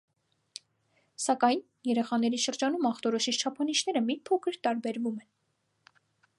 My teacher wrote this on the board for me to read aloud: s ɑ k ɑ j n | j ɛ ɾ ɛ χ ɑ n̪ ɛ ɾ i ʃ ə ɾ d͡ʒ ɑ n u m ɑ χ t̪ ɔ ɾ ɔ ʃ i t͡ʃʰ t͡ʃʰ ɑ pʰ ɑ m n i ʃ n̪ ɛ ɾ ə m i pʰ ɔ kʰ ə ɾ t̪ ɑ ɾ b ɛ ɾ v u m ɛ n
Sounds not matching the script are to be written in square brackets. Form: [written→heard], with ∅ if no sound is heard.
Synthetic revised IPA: s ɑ k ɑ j n | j ɛ ɾ ɛ χ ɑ n̪ ɛ ɾ i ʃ ə ɾ d͡ʒ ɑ n u m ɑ χ t̪ ɔ ɾ ɔ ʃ i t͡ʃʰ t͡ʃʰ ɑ pʰ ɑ [m→∅] n i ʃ n̪ ɛ ɾ ə m i pʰ ɔ kʰ ə ɾ t̪ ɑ ɾ b ɛ ɾ v u m ɛ n